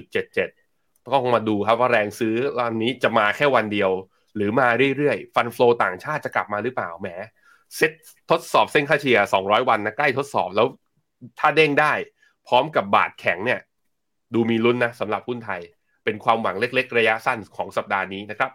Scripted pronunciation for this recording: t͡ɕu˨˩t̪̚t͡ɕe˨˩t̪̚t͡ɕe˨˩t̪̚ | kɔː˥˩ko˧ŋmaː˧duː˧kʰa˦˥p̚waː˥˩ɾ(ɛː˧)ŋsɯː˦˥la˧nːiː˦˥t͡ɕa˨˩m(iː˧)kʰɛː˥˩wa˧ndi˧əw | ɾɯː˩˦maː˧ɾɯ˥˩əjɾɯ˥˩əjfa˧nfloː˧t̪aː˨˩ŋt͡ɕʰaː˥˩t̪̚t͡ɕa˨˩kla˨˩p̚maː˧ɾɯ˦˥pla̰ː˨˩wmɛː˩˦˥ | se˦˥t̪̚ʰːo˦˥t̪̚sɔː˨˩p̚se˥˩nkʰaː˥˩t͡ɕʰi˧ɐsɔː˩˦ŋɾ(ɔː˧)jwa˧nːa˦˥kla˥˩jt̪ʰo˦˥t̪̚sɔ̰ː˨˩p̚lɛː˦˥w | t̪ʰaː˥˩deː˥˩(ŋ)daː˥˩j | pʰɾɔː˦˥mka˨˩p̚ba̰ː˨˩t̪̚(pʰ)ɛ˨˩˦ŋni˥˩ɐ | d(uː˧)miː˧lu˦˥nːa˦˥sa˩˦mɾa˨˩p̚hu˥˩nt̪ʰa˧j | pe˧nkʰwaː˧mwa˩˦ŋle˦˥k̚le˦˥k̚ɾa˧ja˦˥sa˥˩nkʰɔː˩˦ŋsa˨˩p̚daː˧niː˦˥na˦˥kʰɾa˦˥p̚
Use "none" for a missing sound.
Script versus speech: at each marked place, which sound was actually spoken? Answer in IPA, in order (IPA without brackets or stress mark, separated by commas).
ɛː˧, aː˧, ɔː˦˥, ŋ, kʰ, uː˧